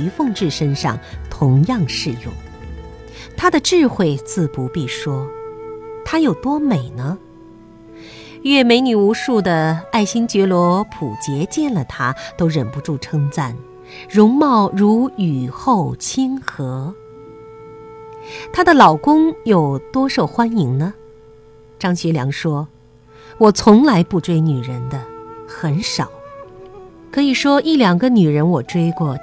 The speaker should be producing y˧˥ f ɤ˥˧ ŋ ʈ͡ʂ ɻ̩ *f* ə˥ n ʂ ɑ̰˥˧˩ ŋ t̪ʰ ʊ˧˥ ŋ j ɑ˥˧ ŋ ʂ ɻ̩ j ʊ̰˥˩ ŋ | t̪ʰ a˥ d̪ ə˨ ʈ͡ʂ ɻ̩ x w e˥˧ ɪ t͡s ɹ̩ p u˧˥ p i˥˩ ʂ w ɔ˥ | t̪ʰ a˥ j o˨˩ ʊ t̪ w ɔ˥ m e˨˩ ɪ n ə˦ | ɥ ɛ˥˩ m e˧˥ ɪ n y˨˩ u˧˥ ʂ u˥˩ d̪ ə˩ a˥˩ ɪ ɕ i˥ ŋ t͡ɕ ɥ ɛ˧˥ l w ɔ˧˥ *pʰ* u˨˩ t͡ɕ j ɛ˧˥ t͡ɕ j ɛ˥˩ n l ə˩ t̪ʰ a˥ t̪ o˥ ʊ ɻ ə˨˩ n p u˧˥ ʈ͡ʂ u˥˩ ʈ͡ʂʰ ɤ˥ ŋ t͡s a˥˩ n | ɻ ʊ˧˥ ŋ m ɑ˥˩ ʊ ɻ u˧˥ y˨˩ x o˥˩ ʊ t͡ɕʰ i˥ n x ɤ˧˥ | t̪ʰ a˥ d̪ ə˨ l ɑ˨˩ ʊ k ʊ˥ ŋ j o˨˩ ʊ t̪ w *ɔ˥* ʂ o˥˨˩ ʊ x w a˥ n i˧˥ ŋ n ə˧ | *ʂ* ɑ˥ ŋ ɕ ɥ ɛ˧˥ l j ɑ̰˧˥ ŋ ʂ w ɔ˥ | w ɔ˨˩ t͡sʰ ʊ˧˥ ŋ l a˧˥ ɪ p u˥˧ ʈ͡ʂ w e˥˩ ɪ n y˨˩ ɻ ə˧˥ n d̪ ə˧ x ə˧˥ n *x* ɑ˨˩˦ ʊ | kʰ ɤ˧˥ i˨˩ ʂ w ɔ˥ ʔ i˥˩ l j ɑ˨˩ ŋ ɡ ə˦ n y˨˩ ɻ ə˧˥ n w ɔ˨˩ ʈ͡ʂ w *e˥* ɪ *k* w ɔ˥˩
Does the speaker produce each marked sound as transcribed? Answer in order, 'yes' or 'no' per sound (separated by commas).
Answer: no, yes, yes, no, no, yes, yes